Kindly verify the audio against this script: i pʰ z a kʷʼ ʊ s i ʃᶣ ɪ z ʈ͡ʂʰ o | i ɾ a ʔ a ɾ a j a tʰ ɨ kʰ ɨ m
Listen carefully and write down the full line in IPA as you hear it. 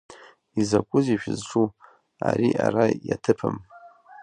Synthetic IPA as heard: i z a kʷʼ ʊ z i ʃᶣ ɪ z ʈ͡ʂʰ u | a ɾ i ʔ a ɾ a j a tʰ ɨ pʰ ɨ m